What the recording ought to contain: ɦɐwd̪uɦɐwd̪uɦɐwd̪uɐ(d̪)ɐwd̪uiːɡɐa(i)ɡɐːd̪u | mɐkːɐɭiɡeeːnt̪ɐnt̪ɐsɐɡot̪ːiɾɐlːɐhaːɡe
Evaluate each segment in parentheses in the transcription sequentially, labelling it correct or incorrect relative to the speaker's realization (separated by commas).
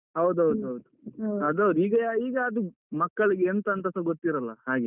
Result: correct, incorrect